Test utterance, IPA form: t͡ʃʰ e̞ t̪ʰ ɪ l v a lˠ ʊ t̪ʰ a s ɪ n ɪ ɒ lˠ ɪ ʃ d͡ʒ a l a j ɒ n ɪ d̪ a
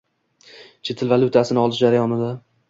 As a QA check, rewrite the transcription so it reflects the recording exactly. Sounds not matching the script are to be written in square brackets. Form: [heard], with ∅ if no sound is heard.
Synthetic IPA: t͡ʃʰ e̞ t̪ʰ ɪ l v a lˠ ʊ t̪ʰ a s ɪ n ɪ ɒ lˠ ɪ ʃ d͡ʒ a [ɾ] a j ɒ n ɪ d̪ a